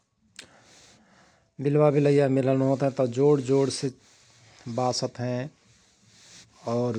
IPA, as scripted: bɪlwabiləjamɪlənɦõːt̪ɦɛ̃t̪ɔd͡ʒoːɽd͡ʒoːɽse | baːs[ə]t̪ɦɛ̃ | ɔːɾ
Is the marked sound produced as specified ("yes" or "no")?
yes